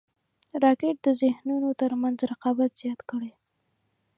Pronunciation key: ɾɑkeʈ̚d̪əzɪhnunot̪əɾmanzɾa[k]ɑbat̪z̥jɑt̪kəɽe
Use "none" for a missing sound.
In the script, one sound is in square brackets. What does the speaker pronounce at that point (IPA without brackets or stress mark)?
q